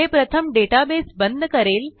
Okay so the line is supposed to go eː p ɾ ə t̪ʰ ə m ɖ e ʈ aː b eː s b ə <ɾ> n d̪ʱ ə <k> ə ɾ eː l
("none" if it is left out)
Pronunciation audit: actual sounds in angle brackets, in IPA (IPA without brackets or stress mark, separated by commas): none, k